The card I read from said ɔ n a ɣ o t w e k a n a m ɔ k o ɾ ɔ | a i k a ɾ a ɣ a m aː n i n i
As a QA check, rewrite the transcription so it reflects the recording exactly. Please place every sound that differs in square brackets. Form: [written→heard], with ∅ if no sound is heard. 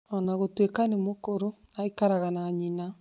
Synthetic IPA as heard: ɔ n a ɣ o t w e k a n [a→e] m [ɔ→o] k o ɾ [ɔ→o] | a i k a ɾ a ɣ a [m→n] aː [n→ɲ] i n [i→a]